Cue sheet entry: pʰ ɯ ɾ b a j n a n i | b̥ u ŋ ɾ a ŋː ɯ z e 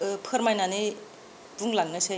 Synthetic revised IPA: pʰ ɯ ɾ m a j n a n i | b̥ u ŋ l a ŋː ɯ s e